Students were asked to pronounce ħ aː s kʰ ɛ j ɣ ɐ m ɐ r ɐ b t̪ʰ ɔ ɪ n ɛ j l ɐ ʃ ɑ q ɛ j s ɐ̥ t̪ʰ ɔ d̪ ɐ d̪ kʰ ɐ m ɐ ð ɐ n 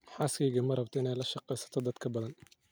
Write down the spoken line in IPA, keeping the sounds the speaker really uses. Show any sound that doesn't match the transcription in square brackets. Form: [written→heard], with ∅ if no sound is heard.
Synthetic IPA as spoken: ħ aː s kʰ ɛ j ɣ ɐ m ɐ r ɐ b t̪ʰ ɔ ɪ n ɛ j l ɐ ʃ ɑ q ɛ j s ɐ̥ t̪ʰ ɔ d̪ ɐ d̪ kʰ ɐ [m→b] ɐ ð ɐ n